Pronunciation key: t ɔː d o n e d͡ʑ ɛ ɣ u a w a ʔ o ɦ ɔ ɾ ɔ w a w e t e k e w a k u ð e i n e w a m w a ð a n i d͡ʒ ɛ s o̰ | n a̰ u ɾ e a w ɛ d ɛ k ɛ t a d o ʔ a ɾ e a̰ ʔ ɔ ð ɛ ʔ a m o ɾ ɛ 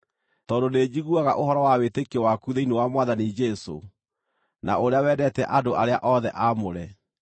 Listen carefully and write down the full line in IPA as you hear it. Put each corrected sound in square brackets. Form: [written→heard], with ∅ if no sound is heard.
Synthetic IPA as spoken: t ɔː d o n e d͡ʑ [ɛ→i] ɣ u a [w→ɣ] a ʔ o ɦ ɔ ɾ ɔ w a w e t e k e w a k u ð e i n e w a m w a ð a n i d͡ʒ ɛ s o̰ | n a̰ [u→o] ɾ e a w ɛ d ɛ [k→t] ɛ [t→ʔ] a d o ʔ a ɾ e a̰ ʔ ɔ ð ɛ ʔ a m o ɾ ɛ